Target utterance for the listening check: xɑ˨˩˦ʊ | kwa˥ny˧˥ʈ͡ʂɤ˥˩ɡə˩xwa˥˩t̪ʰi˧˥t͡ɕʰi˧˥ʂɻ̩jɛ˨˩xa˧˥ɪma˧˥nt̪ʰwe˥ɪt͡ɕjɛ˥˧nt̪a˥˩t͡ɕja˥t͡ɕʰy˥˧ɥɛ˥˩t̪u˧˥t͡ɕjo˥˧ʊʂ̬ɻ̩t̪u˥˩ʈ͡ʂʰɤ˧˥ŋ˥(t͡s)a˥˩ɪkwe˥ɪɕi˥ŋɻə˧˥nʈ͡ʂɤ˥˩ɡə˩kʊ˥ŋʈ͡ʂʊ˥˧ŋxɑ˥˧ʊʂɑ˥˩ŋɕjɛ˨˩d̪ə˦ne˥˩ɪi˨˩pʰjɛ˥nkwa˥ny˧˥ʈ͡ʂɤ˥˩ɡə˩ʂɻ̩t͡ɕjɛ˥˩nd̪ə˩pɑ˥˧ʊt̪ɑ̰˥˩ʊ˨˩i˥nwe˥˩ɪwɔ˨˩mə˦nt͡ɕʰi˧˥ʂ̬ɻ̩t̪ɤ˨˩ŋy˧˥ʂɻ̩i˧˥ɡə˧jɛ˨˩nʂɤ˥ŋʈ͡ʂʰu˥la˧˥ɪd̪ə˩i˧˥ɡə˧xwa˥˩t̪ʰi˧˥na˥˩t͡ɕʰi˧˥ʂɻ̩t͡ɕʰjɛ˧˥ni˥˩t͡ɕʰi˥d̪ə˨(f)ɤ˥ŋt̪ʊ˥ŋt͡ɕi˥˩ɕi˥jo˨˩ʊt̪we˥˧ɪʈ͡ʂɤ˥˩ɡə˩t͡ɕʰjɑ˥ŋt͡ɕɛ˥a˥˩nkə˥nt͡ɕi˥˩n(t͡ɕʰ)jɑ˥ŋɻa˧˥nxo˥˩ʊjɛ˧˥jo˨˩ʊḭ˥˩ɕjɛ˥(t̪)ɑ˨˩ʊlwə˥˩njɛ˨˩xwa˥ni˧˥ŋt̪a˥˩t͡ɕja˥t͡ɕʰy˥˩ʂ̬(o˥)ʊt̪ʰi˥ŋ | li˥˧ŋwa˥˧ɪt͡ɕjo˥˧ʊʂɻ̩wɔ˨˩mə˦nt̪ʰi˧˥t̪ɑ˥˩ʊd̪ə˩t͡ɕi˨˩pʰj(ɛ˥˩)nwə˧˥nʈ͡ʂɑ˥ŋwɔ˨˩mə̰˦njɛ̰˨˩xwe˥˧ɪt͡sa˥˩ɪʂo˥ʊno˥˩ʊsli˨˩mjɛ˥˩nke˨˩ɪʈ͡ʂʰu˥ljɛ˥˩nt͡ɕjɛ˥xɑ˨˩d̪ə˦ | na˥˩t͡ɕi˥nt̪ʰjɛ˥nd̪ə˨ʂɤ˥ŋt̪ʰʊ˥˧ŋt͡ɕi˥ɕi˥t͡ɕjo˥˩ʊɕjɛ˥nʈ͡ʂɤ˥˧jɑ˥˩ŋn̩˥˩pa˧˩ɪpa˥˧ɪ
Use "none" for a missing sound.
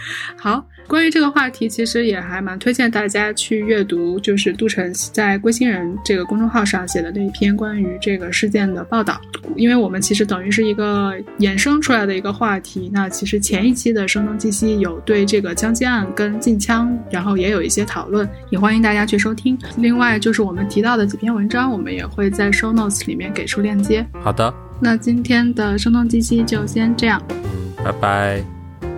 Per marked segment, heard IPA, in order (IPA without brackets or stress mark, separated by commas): t͡s, ʂ, t͡ɕʰ, t̪ʰ, o˥, ɛ˥